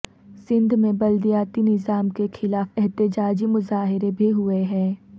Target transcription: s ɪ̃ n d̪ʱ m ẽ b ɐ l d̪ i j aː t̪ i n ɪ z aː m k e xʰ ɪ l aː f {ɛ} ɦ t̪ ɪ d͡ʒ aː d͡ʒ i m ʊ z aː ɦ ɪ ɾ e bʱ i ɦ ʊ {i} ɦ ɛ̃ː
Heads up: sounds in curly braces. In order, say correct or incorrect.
correct, incorrect

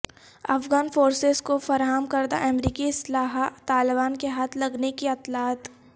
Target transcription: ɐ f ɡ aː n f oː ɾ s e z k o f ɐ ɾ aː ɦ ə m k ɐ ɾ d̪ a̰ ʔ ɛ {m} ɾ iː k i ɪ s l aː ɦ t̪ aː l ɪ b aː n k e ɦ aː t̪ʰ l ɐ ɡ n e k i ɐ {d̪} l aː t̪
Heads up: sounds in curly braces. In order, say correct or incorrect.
correct, incorrect

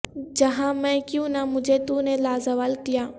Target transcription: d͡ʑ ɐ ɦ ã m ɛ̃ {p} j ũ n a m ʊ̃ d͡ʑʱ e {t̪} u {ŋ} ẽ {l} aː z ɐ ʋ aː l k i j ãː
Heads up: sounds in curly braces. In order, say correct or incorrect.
incorrect, correct, incorrect, correct

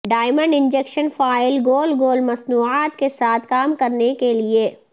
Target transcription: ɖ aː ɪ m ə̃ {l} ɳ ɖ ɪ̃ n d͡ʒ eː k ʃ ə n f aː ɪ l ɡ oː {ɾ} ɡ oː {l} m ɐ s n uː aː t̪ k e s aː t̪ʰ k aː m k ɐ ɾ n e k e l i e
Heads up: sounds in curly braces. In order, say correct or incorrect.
incorrect, incorrect, correct

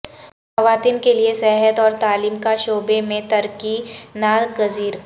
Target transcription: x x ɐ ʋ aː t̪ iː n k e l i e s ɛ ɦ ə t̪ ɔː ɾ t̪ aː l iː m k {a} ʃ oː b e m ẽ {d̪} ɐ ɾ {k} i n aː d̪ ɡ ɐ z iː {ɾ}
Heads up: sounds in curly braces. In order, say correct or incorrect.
correct, incorrect, correct, correct

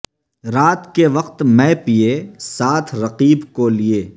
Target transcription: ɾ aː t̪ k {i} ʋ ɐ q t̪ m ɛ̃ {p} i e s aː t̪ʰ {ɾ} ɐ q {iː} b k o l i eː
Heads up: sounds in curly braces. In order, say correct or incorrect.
incorrect, correct, correct, correct

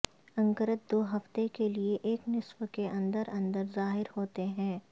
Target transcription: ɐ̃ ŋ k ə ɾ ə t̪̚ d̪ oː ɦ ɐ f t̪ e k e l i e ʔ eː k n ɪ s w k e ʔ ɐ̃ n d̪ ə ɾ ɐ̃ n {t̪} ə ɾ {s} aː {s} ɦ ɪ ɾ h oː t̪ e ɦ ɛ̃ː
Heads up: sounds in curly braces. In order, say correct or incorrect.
incorrect, incorrect, incorrect

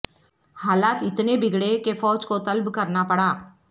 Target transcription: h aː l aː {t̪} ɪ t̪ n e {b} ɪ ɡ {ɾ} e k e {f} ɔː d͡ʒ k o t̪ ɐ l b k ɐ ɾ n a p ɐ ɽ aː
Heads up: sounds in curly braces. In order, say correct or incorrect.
correct, correct, incorrect, correct

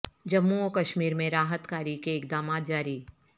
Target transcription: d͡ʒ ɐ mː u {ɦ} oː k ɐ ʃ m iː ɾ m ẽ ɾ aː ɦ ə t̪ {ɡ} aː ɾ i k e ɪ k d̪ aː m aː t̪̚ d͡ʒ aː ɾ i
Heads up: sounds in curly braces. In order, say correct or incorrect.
incorrect, incorrect

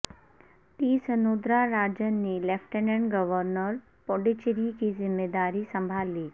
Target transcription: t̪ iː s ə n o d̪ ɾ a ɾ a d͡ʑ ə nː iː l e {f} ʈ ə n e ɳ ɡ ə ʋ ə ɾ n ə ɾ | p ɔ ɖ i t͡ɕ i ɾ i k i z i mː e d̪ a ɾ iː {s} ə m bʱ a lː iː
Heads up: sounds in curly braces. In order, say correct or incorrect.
correct, correct

